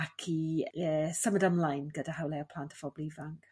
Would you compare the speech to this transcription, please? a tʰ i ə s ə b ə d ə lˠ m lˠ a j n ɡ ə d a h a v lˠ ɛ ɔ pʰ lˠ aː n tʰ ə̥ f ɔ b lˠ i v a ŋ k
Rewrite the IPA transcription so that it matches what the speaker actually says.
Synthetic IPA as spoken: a kʰ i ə s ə m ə d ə m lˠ a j n ɡ ə d a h a w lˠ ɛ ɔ pʰ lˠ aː n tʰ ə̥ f ɔ b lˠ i v a ŋ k